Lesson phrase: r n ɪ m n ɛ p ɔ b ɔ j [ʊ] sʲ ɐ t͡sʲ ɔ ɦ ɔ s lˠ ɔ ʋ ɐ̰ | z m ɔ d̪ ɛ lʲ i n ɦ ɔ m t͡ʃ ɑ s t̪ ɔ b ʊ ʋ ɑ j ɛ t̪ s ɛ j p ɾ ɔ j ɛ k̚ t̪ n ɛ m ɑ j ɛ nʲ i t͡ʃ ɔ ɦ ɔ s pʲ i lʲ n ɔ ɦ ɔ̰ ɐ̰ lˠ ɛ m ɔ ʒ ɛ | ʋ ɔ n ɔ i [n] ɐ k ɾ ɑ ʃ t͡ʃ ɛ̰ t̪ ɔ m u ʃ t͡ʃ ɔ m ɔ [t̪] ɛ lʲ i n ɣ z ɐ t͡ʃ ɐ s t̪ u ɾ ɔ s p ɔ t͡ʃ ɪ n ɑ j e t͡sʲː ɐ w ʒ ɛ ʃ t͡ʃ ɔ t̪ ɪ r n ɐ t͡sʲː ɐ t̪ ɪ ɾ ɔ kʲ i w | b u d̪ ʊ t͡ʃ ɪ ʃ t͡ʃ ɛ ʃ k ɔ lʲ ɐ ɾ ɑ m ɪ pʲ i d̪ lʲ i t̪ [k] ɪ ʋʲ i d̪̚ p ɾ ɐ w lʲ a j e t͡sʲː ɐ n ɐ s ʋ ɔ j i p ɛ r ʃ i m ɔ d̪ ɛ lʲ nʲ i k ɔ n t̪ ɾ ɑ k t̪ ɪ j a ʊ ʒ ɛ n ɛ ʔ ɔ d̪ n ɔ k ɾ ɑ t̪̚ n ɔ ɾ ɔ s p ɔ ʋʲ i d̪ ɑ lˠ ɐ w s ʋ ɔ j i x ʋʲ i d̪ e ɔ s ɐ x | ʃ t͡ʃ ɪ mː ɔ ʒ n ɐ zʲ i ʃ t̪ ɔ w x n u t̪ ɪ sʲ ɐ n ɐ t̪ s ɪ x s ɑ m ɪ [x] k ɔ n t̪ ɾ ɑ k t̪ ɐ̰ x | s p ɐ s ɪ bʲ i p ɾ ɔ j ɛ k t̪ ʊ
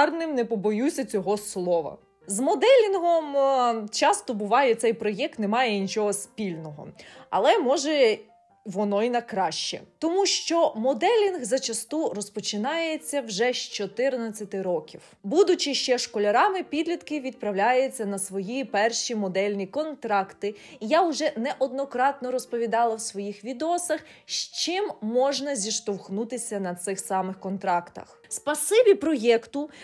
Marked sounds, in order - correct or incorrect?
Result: incorrect: u, correct, incorrect: d̪, correct, correct

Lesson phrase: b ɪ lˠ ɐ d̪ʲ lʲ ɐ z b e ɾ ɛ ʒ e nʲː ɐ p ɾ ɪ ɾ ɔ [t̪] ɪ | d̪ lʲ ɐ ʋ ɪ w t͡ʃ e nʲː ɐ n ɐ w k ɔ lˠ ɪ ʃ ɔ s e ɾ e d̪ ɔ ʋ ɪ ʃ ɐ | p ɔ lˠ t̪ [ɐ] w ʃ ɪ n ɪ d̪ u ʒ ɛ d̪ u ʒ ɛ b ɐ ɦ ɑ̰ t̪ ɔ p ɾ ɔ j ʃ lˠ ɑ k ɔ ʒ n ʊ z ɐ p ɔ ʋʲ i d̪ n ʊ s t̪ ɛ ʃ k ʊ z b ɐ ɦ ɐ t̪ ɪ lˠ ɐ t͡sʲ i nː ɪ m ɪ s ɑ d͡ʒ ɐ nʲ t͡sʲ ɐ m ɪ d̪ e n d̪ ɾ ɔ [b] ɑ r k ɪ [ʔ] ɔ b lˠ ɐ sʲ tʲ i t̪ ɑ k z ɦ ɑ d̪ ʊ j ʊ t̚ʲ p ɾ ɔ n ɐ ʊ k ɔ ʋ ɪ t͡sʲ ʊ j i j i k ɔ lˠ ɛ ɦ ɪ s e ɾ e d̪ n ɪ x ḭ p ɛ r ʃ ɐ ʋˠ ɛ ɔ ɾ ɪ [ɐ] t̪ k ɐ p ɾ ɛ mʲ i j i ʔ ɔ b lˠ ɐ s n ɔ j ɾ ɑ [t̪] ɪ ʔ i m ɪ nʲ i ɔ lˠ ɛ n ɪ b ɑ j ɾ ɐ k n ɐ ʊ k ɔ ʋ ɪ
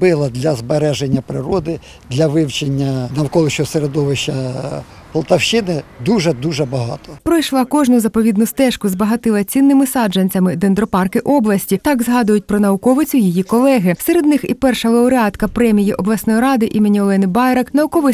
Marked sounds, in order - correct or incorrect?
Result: incorrect: d̪, correct, incorrect: p, correct, incorrect: ɑ, incorrect: d̪

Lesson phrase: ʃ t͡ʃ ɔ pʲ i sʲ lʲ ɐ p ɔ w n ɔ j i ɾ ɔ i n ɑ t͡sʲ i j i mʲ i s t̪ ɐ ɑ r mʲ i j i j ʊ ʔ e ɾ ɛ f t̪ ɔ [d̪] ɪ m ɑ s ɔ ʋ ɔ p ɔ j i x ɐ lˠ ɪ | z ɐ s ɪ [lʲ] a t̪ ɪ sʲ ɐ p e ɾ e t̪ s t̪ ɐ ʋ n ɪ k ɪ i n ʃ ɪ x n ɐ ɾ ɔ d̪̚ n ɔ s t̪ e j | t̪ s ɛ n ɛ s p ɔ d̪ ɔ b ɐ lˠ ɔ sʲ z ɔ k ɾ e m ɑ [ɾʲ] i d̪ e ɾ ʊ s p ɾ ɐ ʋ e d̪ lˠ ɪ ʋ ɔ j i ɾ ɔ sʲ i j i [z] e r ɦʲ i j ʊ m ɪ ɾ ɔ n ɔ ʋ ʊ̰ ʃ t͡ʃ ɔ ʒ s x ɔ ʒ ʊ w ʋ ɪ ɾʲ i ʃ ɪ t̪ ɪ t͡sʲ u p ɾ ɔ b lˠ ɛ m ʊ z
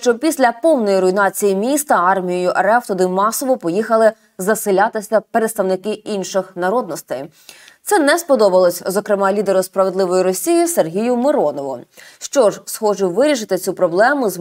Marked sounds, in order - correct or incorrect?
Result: correct, correct, incorrect: lʲ, incorrect: s

